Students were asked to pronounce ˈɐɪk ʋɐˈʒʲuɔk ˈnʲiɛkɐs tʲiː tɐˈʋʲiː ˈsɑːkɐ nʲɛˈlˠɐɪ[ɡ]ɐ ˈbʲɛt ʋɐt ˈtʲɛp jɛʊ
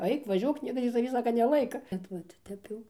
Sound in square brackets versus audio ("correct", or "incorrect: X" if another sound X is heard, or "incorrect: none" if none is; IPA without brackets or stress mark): incorrect: k